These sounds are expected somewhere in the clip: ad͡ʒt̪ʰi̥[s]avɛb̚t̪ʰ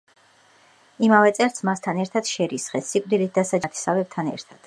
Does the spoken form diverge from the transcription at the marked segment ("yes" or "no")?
no